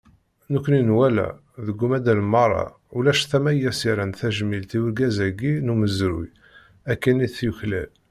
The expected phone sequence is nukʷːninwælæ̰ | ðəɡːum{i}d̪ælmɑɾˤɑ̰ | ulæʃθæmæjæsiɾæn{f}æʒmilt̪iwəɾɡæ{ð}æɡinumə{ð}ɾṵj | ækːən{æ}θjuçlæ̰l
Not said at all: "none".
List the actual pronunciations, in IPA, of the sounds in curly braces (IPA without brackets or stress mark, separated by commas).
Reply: æ, θ, z, z, i